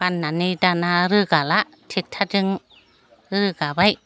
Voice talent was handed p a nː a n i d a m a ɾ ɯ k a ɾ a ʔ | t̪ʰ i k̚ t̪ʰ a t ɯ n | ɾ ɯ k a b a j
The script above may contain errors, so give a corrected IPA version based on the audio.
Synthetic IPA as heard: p a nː a n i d a n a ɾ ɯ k a l a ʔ | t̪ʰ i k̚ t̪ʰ a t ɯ ŋ | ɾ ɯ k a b a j